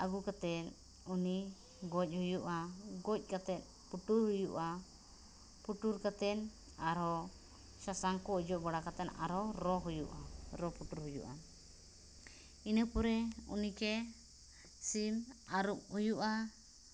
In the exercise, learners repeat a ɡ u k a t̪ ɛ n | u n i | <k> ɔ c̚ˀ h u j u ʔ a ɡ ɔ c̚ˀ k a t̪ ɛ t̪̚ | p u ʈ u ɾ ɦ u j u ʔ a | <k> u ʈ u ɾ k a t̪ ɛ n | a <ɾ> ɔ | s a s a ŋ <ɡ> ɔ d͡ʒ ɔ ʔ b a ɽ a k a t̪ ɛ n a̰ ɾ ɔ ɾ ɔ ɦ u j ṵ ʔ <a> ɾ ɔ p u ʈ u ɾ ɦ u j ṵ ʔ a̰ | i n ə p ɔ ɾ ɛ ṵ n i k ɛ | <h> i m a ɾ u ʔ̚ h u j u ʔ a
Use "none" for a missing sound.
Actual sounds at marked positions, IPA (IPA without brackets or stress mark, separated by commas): ɡ, p, ɾ, k, a, s